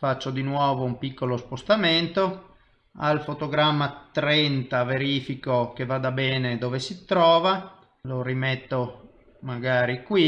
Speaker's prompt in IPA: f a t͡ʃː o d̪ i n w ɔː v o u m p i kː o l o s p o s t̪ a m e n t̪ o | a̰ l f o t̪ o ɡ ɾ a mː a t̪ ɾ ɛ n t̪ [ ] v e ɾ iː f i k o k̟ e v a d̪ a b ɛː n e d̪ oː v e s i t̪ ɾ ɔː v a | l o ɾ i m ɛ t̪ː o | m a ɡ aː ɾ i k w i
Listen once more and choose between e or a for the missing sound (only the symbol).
a